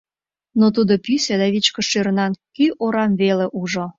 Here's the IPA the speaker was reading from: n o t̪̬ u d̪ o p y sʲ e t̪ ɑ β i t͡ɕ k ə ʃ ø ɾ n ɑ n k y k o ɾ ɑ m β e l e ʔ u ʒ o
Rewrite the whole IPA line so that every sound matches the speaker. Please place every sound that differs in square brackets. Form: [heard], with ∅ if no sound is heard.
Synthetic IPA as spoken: n o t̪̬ u d̪ o p y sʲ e [d̪] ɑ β i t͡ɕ k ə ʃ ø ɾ n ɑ n k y [ʔ] o ɾ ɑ m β e l e ʔ u ʒ o